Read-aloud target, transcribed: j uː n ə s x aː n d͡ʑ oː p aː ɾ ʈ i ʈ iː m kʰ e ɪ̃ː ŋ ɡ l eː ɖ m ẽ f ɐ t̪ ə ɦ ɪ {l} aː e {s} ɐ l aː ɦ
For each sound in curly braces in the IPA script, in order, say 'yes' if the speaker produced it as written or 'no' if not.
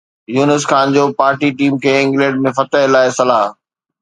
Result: yes, yes

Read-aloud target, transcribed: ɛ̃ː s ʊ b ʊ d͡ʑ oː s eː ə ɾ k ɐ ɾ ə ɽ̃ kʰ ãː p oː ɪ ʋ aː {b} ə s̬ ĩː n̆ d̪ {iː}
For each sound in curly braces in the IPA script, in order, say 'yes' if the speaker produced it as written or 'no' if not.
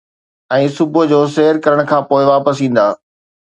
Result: no, no

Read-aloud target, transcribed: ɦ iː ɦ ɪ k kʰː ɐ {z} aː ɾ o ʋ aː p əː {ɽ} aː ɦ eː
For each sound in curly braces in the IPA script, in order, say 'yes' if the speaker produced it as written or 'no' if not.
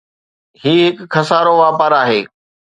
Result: no, no

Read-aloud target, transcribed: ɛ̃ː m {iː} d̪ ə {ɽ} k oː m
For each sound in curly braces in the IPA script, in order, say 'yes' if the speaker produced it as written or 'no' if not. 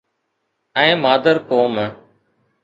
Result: no, no

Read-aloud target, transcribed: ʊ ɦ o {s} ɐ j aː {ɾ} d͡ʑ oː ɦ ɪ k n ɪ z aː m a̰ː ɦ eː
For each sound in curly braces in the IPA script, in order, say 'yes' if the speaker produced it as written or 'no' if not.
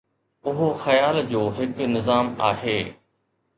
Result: no, no

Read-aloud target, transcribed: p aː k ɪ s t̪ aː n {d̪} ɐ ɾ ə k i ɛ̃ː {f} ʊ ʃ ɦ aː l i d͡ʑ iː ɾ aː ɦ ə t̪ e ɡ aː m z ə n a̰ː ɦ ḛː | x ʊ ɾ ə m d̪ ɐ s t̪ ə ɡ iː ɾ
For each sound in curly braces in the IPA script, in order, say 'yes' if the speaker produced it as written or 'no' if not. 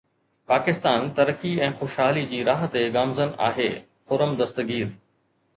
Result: no, no

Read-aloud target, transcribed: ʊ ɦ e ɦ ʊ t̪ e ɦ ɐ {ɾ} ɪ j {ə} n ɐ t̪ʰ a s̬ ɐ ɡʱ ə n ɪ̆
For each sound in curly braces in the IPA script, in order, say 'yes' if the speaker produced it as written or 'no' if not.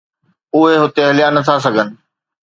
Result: no, no

